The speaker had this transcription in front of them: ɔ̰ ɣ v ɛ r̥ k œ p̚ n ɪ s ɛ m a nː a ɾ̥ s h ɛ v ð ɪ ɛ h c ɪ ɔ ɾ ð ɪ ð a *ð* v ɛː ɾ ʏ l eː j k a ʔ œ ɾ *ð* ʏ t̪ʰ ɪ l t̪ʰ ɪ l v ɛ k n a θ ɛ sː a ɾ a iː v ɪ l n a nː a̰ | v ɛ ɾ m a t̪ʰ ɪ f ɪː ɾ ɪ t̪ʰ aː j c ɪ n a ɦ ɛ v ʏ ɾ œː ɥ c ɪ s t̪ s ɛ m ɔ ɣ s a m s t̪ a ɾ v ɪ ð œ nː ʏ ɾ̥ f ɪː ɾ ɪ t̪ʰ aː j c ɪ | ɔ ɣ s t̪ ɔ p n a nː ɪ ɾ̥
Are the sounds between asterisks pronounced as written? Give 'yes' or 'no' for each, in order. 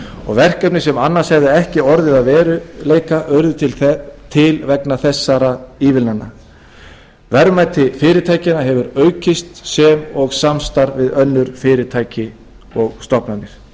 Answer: yes, yes

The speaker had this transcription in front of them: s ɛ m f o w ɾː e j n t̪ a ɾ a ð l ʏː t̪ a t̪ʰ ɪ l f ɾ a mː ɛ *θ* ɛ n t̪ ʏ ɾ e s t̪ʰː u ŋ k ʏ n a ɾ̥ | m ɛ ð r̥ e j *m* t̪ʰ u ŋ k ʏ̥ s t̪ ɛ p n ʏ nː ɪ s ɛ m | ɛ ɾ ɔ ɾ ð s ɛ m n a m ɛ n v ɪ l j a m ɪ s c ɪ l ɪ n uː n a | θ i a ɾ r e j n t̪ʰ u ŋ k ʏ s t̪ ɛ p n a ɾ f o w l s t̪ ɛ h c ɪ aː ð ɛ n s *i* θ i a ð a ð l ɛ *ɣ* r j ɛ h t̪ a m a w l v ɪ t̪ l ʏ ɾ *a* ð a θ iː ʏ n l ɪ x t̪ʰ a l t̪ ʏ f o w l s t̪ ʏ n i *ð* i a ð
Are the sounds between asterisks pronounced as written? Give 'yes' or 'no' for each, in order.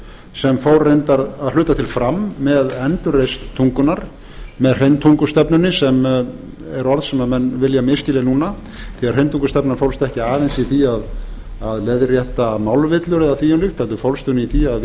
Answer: no, no, yes, no, no, no

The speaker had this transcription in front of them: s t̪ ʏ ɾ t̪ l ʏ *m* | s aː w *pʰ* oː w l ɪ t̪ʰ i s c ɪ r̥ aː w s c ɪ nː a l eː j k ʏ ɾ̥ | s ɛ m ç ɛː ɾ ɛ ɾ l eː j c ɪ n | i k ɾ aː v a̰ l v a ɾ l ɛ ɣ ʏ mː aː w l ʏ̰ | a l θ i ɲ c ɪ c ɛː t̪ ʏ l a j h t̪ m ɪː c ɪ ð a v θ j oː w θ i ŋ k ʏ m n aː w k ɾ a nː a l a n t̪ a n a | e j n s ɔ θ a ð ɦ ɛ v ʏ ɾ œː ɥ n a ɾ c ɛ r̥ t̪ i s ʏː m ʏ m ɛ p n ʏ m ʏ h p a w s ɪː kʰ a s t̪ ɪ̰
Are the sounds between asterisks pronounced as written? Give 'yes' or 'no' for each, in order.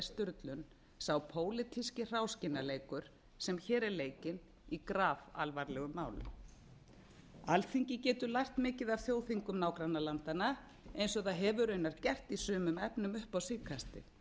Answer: no, yes

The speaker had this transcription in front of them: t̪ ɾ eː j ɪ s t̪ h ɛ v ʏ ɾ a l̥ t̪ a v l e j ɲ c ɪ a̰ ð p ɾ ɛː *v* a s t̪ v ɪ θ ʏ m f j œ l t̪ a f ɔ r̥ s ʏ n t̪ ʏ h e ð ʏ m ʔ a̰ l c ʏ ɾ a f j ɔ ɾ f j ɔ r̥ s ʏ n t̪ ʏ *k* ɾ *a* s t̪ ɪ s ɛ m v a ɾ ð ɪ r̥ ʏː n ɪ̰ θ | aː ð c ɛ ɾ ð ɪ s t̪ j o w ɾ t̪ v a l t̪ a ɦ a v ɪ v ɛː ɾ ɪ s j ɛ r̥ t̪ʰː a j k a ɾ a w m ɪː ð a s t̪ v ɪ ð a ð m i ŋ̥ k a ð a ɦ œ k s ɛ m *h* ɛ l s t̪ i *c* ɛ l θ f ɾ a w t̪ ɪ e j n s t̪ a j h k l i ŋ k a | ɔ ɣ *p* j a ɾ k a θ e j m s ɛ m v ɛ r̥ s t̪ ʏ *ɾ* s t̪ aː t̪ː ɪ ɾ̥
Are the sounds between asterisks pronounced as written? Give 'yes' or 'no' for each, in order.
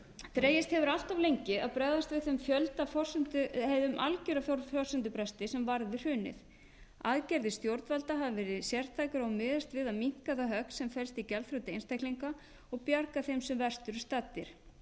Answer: no, no, no, no, yes, yes, yes

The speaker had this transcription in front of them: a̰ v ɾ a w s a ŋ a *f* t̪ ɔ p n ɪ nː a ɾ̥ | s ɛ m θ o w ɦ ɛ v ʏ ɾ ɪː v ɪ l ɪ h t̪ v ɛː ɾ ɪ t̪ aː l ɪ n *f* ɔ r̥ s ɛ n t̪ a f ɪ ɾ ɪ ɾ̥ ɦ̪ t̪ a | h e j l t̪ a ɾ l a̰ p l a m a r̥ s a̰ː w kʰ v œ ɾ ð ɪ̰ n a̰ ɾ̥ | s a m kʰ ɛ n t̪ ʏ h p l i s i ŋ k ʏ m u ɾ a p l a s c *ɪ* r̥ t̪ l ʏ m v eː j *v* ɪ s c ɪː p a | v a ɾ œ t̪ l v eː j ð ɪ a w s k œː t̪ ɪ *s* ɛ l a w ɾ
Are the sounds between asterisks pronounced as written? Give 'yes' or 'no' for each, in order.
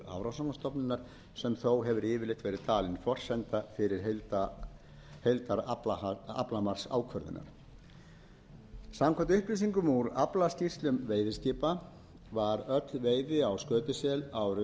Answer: no, yes, no, no, yes

